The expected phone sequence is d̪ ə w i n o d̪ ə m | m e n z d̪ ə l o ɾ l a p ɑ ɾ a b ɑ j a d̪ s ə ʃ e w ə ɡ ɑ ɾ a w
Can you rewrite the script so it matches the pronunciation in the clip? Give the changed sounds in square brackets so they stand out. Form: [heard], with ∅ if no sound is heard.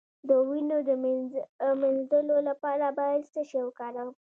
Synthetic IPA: d̪ ə w i n o d̪ ə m | m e n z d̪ ə l o [∅] l a p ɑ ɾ a b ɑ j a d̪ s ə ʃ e w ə [k] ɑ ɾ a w

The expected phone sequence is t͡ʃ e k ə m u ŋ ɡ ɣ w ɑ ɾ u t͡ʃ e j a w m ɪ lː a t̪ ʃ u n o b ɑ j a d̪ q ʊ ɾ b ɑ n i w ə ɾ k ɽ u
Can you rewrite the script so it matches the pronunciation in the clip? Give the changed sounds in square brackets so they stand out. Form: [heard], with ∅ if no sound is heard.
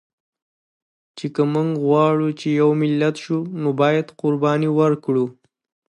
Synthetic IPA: t͡ʃ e k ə m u ŋ ɡ ɣ w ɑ [ɽ] u t͡ʃ e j a w m ɪ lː a t̪ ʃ u n o b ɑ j a d̪ q ʊ ɾ b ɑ n i w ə ɾ k ɽ u

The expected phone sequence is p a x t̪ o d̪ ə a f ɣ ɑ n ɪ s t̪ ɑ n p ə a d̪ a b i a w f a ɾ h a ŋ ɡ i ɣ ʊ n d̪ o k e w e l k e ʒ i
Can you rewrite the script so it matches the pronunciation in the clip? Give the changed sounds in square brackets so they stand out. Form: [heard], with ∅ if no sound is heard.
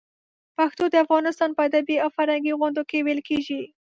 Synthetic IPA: p a x t̪ o d̪ ə a f ɣ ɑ n ɪ s t̪ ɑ n p ə a d̪ a b i a w f a ɾ h a ŋ ɡ i ɣ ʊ n d̪ o k e w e l k e ʒ i

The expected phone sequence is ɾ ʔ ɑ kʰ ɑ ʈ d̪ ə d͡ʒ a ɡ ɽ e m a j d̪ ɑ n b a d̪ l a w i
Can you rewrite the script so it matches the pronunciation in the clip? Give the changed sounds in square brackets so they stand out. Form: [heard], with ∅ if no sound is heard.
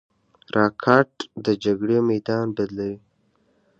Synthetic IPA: ɾ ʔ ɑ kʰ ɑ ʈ d̪ ə d͡ʒ a ɡ ɽ e m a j d̪ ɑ n b a d̪ l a w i

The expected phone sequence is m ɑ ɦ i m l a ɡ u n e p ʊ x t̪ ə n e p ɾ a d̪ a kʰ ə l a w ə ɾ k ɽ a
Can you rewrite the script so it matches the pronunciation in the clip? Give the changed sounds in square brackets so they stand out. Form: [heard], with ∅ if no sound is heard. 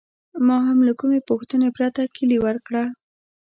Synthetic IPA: m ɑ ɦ [a] m l a [k] u [m] e p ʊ x t̪ ə n e p ɾ a [t̪] a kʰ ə l [i] w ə ɾ k ɽ a

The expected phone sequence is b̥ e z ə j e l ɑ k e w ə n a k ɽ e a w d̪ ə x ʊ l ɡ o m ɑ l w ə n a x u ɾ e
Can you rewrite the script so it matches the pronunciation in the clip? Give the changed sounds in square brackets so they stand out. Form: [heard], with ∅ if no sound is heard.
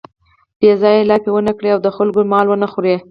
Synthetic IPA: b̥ e z [ɑ] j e l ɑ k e w ə n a k ɽ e a w d̪ ə x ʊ l ɡ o m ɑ l w ə n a x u ɾ e

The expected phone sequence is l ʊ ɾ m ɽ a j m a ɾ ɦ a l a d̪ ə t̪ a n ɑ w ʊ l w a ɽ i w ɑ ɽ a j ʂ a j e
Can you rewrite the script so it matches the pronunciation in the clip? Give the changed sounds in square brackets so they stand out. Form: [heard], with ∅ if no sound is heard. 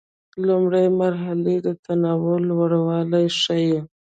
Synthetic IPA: l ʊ [∅] m ɽ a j m a ɾ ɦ a l [e] d̪ ə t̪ a n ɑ w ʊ l w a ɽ [a] w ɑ [l] a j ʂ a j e

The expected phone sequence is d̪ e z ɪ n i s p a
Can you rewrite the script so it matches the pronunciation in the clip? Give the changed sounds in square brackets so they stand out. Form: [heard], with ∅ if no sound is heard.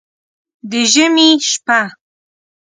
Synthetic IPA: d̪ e [ʒ] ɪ [m] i [ʃ] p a

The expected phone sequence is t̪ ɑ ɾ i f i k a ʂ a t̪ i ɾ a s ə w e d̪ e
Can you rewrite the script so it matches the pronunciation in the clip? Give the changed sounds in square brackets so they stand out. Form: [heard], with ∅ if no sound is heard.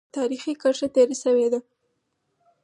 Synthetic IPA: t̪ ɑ ɾ i [x] i k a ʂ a t̪ [e] ɾ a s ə w e d̪ [a]

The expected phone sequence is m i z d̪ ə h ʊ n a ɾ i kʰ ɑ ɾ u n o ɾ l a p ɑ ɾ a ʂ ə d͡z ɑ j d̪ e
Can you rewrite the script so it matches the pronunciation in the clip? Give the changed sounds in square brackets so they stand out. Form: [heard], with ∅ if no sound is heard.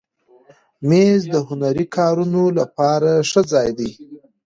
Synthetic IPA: m [e] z d̪ ə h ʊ n a ɾ i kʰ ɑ ɾ u n o [∅] l a p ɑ ɾ a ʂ ə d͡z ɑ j d̪ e

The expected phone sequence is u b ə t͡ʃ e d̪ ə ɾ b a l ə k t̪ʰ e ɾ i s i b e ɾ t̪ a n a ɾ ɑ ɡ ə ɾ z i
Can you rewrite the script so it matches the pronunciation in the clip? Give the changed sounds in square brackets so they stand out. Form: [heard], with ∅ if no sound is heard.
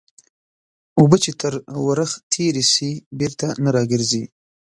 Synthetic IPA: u b ə t͡ʃ e [t̪] ə ɾ [w] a [ɾ] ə [x] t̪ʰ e ɾ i s i b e ɾ t̪ a n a ɾ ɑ ɡ ə ɾ z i

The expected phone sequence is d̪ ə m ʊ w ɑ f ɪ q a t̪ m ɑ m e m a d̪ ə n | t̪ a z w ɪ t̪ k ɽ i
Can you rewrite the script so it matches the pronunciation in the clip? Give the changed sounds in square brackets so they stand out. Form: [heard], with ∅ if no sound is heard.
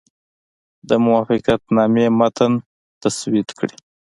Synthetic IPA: d̪ ə m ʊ w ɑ f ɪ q a t̪ [n] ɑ m e m a [t̪] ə n | t̪ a [s] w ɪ t̪ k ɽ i

